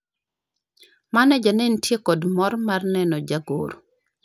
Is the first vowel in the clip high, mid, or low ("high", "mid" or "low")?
low